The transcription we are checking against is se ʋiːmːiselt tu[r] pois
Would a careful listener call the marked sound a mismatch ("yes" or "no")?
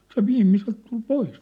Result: yes